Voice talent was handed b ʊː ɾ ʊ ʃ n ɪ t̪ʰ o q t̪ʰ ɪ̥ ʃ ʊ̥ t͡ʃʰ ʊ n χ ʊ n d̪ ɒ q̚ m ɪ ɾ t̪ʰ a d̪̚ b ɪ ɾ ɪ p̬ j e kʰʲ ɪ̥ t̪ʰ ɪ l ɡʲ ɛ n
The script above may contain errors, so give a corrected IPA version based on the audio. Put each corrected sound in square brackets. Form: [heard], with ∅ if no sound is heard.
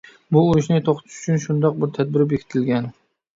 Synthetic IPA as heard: b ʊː ɾ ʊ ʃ n ɪ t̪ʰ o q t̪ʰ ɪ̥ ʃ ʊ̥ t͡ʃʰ ʊ n [ʃ] ʊ n d̪ ɒ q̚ [b] ɪ ɾ t̪ʰ a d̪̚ b ɪ ɾ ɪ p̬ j e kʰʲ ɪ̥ t̪ʰ ɪ l ɡʲ [a] n